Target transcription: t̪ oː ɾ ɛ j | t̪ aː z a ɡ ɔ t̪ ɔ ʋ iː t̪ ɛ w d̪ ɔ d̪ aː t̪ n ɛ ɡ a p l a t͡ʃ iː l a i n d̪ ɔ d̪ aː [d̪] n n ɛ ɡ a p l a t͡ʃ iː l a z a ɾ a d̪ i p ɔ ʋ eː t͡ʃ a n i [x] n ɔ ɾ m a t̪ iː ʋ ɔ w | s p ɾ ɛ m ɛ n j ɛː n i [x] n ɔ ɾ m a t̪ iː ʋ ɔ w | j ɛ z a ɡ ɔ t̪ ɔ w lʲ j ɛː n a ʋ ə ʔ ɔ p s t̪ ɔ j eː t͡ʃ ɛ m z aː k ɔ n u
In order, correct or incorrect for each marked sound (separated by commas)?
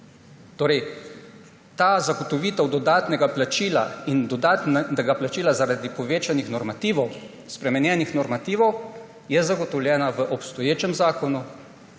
incorrect, correct, correct